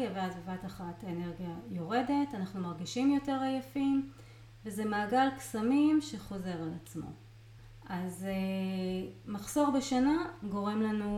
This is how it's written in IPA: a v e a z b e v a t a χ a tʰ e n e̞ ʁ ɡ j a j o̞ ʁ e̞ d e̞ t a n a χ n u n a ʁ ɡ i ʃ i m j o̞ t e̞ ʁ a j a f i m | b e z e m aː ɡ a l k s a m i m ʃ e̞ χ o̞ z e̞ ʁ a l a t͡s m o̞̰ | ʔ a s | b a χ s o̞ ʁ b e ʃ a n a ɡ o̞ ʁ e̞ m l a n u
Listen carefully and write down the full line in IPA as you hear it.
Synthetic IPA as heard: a v e a z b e v a t a χ a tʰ e n e̞ ʁ ɡ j a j o̞ ʁ e̞ d e̞ t a n a χ n u m a ʁ ɡ i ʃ i m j o̞ t e̞ ʁ a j a f i m | v e z e m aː ɡ a l k s a m i m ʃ e̞ χ o̞ z e̞ ʁ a l a t͡s m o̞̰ | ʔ a z | m a χ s o̞ ʁ b e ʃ a n a ɡ o̞ ʁ e̞ m l a n u